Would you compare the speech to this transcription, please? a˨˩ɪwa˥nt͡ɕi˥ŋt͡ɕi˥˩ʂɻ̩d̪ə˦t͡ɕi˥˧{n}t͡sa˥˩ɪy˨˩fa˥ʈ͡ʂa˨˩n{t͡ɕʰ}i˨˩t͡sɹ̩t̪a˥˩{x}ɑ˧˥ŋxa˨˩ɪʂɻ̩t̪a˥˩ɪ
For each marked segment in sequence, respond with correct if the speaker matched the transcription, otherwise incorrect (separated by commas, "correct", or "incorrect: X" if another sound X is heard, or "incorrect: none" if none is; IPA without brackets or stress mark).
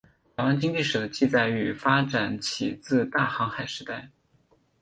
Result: incorrect: none, correct, correct